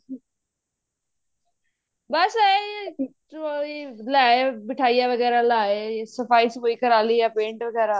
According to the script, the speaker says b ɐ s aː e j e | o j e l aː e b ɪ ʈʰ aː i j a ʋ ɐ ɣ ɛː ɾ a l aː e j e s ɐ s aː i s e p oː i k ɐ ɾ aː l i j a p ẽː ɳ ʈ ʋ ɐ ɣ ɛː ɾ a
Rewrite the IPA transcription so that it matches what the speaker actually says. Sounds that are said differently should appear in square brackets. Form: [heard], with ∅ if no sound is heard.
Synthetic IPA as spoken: b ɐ s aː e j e | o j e l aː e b ɪ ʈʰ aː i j a ʋ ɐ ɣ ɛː ɾ a l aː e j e s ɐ [f] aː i s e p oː i k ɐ ɾ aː l i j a p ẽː ɳ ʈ ʋ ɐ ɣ ɛː ɾ a